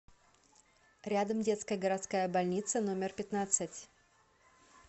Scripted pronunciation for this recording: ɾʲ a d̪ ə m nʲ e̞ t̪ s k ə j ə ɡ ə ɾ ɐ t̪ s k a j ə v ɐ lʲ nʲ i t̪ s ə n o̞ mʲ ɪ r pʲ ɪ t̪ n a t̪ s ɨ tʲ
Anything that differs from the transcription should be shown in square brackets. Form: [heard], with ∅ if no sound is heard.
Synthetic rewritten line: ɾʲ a d̪ ə m [dʲ] e̞ t̪ s k ə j ə ɡ ə ɾ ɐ t̪ s k a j ə [b] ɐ lʲ nʲ i t̪ s ə n o̞ mʲ ɪ r pʲ ɪ t̪ n a t̪ s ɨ tʲ